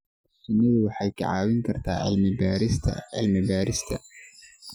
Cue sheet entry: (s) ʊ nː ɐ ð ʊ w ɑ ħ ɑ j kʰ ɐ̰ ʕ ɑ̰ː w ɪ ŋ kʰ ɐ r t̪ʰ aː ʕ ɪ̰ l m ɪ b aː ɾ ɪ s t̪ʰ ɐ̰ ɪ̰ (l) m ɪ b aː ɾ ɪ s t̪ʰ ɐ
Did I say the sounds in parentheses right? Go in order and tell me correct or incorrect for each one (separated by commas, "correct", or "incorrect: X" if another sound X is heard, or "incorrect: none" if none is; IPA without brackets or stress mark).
correct, correct